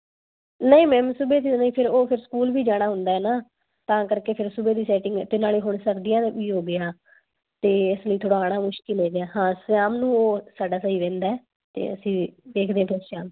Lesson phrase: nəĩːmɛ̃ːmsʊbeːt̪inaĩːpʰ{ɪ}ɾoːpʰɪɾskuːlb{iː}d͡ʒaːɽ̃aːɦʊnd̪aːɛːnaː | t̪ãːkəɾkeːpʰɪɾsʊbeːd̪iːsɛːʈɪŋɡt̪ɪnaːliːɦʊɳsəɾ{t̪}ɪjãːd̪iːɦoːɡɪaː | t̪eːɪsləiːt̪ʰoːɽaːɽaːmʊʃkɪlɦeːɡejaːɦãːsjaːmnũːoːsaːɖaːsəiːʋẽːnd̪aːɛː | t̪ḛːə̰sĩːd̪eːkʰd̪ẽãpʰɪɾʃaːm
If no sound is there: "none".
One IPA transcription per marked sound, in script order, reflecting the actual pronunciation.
ɪ, iː, d̪

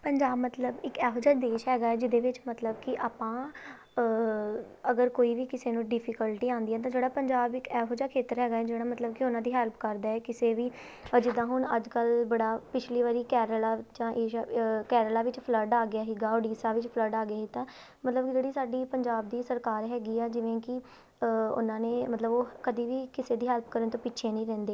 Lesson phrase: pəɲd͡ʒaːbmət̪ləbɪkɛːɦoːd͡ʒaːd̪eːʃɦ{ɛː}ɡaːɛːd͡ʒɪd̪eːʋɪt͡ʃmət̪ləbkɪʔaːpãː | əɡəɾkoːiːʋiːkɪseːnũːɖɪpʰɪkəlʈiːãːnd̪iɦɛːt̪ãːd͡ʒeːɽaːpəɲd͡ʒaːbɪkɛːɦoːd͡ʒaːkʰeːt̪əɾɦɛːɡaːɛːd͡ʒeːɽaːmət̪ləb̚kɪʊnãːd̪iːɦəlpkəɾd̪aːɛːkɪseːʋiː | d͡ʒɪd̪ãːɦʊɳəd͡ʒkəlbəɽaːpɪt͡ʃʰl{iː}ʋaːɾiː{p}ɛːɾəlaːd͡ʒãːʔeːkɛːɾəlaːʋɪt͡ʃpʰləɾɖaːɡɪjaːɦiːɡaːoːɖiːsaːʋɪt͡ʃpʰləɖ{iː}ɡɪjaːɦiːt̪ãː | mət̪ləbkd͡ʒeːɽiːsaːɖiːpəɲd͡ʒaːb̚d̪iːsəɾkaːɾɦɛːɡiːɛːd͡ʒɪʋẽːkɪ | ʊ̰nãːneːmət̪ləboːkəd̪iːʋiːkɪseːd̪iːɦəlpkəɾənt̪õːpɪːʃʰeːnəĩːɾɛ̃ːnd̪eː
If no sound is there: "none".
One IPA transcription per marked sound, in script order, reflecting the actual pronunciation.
ɛː, iː, k, aː

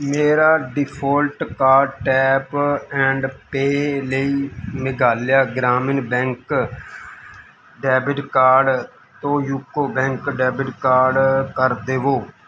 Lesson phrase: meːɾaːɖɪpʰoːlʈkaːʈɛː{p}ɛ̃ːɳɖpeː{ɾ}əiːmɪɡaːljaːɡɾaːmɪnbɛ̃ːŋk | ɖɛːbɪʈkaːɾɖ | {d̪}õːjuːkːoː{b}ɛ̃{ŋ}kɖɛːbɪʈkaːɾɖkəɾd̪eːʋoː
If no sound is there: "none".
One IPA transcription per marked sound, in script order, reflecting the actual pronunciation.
p, l, t̪, b, ŋ

